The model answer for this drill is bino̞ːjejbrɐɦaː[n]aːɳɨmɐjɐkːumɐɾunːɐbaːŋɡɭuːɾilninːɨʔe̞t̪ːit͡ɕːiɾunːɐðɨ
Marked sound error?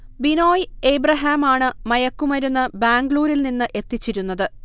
yes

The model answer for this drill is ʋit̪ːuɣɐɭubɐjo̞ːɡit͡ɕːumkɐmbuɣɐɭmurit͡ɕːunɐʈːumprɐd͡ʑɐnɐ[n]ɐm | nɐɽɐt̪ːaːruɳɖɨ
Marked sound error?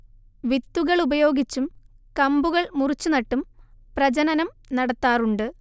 no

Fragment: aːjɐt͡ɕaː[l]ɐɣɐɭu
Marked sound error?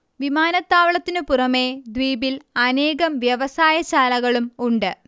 no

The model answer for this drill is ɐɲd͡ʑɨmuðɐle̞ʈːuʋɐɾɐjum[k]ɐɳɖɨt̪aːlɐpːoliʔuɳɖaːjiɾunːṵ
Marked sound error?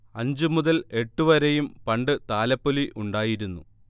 yes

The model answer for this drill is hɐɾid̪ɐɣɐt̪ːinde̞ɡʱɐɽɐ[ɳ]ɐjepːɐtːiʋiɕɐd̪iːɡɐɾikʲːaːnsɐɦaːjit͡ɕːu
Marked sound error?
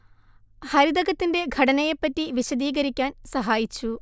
yes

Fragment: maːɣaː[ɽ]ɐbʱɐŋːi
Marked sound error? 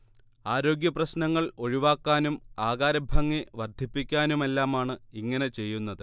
yes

